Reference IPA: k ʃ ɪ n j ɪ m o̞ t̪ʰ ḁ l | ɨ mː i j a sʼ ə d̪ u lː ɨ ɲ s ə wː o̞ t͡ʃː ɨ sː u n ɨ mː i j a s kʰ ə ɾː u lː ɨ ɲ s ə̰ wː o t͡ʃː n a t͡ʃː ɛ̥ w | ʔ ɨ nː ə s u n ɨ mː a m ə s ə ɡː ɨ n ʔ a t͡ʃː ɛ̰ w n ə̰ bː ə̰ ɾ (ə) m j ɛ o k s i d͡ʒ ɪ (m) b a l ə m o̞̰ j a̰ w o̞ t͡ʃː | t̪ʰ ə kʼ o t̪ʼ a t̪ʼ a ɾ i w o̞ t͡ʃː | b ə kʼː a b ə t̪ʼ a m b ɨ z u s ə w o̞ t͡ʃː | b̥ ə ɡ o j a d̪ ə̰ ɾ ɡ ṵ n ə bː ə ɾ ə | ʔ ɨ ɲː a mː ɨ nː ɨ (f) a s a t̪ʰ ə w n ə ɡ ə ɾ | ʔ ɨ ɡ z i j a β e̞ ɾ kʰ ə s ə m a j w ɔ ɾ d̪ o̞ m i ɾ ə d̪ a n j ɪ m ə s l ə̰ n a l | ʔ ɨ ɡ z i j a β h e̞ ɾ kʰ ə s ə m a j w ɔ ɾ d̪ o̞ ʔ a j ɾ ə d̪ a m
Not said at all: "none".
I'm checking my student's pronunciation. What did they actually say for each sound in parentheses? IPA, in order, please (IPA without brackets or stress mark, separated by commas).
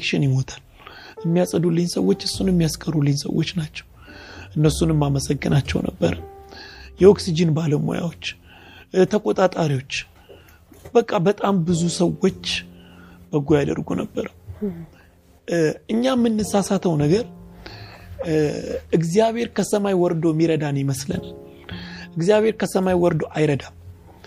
ə, n, s